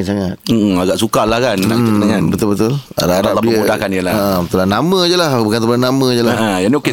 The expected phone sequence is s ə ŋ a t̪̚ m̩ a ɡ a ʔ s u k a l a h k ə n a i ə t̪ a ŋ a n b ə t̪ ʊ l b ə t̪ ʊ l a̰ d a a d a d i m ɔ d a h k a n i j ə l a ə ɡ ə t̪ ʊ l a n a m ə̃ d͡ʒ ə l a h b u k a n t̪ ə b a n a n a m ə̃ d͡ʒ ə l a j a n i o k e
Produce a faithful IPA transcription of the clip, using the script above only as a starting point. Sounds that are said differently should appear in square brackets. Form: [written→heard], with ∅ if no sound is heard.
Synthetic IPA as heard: s [ə→a] ŋ a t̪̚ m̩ a ɡ a ʔ s u k a l a h k [ə→a] n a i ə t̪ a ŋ a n b ə t̪ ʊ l b ə t̪ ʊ l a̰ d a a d a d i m [ɔ→u] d a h k a n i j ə l a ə [ɡ→b] ə t̪ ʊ l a n a m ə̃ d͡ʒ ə l a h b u k a n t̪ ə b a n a n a m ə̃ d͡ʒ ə l a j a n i o k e